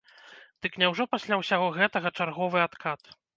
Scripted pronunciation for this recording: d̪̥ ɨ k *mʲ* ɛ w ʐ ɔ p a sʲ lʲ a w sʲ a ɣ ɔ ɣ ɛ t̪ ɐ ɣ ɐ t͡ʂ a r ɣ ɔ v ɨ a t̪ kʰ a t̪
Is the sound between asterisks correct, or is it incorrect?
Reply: incorrect